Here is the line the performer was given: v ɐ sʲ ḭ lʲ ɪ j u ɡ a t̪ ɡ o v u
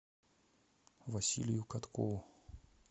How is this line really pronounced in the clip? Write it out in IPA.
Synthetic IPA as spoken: v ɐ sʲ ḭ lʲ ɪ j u k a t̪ k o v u